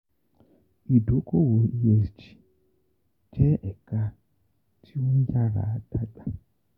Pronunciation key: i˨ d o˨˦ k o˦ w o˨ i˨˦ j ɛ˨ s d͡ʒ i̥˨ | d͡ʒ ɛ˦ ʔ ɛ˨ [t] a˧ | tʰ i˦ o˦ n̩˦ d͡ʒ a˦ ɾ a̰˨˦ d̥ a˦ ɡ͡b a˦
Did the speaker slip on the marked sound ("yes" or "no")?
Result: yes